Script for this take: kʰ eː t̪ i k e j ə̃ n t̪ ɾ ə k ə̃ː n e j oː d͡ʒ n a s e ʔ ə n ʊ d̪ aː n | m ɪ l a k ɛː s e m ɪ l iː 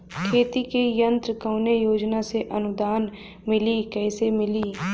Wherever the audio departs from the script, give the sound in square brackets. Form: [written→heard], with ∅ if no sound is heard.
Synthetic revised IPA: kʰ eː t̪ i k e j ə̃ n t̪ ɾ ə k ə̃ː n e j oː d͡ʒ n a s e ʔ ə n ʊ d̪ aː n | m ɪ l [a→i] k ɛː s e m ɪ l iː